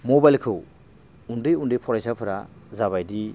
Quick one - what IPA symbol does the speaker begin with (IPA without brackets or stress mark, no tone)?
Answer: m